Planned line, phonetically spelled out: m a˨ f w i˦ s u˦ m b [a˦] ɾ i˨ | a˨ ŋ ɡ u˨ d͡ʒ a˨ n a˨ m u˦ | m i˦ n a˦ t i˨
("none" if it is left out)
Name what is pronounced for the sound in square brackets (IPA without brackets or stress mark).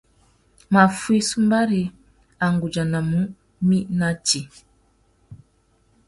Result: a˦